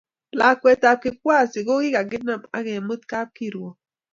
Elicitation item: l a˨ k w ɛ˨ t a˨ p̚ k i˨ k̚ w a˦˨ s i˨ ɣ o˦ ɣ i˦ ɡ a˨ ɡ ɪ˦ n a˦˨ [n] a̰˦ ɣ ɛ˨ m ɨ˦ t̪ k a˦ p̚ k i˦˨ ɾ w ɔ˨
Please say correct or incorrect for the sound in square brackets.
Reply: incorrect: m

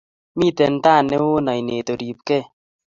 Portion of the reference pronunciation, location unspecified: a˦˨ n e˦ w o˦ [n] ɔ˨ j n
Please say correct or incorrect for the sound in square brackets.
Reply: correct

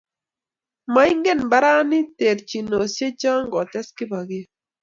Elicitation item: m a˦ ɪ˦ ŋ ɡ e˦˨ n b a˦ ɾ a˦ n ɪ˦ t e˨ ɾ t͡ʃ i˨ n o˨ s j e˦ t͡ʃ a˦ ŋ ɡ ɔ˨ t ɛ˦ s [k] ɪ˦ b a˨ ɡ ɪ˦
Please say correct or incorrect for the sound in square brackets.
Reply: correct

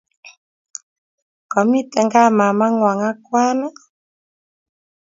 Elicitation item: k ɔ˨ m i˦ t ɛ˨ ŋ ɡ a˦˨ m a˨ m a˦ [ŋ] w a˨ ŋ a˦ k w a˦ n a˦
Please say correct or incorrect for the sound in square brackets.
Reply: correct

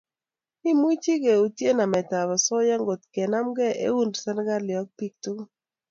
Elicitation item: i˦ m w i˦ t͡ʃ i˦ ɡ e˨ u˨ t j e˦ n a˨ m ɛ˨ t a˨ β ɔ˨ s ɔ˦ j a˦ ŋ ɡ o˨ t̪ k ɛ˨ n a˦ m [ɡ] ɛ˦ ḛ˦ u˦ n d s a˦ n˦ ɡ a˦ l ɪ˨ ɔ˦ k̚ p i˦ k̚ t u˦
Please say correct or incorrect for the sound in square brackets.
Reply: correct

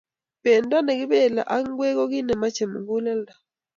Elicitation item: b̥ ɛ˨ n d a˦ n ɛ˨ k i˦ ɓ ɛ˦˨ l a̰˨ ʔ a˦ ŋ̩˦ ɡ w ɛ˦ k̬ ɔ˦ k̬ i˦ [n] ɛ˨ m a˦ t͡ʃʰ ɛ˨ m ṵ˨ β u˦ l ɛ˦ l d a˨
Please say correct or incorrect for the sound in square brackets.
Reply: correct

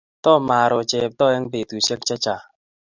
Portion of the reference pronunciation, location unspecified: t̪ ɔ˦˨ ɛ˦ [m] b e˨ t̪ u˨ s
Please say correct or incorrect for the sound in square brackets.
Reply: incorrect: ŋ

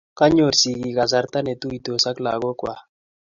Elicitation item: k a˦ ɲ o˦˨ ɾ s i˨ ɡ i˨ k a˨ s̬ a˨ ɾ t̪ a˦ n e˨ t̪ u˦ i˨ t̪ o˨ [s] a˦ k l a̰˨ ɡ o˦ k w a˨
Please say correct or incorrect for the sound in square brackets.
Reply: correct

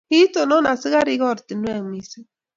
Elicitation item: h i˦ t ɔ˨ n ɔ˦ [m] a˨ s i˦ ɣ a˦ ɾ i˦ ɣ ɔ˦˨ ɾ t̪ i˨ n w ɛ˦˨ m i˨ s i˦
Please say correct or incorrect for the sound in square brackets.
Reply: incorrect: n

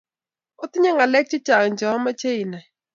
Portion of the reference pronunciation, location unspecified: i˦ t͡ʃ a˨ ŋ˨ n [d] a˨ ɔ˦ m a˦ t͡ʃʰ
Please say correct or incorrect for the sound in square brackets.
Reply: incorrect: d͡ʒ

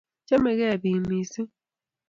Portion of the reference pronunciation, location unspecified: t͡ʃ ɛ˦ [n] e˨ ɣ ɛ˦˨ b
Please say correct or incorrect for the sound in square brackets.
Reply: incorrect: m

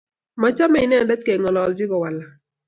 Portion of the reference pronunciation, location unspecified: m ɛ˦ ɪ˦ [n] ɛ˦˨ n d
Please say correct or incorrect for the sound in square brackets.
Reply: correct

